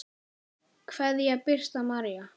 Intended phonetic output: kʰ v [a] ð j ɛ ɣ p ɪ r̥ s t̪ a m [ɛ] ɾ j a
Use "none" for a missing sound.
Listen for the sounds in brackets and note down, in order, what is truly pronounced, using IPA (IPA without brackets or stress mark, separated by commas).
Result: ɛ, a